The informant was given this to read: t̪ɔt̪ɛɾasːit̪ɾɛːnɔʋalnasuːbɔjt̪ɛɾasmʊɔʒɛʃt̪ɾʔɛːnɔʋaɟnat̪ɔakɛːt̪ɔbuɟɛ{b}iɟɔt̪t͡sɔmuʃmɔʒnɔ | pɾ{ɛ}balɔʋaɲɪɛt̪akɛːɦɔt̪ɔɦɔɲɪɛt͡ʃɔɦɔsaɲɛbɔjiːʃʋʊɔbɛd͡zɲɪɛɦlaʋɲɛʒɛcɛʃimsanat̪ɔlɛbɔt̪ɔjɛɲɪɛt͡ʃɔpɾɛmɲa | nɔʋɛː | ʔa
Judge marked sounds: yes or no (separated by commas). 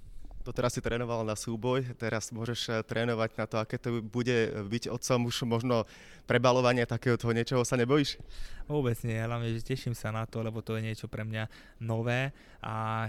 yes, yes